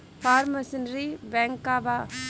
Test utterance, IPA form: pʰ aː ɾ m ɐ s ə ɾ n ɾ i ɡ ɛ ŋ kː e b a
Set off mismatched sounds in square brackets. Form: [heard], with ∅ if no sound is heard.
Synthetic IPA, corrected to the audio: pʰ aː ɾ m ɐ s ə [∅] n ɾ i [b] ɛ ŋ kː [a] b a

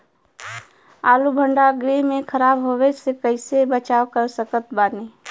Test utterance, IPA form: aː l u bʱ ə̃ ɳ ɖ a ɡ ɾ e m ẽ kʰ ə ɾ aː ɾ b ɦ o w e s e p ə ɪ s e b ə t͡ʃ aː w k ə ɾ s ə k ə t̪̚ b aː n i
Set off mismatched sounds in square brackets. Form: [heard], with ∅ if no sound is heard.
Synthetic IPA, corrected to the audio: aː l u bʱ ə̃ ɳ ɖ a ɡ ɾ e m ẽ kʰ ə ɾ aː [∅] b ɦ o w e s e [k] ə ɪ s e b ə t͡ʃ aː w k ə ɾ s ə k ə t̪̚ b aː n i

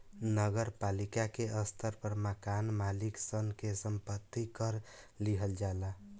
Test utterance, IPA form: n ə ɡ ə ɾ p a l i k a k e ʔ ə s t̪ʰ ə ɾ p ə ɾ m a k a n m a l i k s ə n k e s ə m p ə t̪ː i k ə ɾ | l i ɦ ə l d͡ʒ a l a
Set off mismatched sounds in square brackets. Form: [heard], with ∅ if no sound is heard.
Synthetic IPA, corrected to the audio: n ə ɡ ə ɾ p a l i k a k e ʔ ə s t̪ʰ ə ɾ p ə ɾ m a k a n m a l i k s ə n k e s ə m p ə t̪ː i k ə ɾ | l i ɦ ə l d͡ʒ a l a

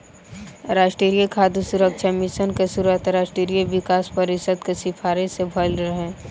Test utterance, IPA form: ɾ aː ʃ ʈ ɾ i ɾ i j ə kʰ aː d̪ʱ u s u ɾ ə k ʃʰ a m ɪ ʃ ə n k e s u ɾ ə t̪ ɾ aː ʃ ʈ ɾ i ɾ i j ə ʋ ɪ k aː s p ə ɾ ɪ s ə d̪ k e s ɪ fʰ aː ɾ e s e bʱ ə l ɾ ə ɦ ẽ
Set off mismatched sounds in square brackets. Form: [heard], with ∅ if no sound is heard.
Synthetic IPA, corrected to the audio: ɾ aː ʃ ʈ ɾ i ɾ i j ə kʰ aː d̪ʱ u s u ɾ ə k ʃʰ a m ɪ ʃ ə n k e s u ɾ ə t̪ ɾ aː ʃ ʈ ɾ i ɾ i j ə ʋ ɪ k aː s p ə ɾ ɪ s ə d̪ k e s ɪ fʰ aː ɾ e s e bʱ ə l ɾ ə ɦ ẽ

